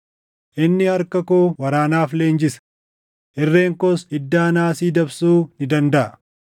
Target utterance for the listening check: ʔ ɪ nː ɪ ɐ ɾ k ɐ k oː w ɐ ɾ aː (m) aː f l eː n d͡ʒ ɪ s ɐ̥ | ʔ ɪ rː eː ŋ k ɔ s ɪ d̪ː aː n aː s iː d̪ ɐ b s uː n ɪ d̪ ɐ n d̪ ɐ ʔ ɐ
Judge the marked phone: incorrect: n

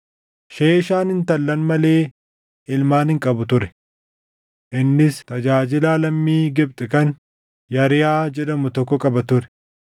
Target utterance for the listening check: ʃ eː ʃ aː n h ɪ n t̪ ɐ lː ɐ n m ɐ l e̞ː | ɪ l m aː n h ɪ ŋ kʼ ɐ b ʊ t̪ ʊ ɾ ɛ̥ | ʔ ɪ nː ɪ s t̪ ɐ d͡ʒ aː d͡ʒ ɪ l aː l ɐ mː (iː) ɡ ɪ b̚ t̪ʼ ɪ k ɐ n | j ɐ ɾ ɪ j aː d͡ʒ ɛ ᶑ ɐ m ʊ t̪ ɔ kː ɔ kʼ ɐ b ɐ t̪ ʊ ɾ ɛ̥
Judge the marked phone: correct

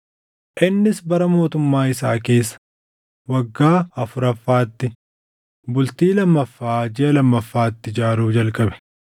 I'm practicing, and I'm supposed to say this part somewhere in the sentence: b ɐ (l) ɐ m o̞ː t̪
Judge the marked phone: incorrect: ɾ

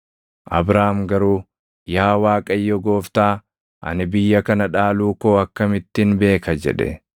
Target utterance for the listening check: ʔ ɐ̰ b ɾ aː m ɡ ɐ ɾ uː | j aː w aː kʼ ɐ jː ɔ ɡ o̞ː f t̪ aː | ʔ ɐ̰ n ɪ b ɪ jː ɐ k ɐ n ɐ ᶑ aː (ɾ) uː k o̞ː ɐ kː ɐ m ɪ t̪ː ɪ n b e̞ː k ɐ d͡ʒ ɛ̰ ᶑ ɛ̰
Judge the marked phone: incorrect: l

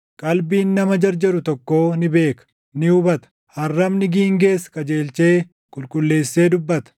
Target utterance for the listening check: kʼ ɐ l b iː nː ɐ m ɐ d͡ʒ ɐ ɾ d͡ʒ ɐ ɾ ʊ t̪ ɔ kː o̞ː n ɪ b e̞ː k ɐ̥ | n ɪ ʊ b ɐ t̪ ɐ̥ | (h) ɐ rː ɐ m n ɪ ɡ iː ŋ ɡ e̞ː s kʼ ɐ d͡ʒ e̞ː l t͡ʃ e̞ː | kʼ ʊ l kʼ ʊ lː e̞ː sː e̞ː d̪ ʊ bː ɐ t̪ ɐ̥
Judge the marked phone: correct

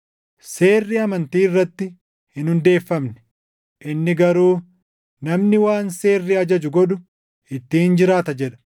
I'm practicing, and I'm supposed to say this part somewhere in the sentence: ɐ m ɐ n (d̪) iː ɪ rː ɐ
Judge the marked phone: incorrect: t̪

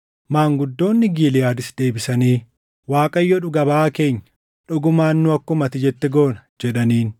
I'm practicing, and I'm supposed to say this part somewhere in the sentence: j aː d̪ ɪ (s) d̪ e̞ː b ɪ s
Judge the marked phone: correct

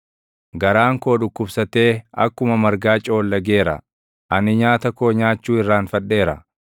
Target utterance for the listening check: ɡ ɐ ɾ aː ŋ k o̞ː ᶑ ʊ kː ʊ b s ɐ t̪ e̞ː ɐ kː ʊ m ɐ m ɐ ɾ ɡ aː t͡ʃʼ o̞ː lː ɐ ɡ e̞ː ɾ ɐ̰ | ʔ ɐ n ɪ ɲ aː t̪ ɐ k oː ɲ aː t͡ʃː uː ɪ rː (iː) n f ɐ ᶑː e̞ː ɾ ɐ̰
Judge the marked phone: incorrect: aː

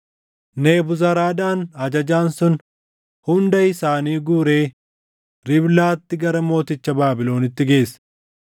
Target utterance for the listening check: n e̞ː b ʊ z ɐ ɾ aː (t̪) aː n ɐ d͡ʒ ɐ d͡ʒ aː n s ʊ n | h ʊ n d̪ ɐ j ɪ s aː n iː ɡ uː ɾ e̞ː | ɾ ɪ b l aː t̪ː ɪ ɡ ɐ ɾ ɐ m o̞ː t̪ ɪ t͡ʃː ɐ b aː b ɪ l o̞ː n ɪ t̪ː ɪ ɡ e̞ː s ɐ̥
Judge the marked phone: incorrect: d̪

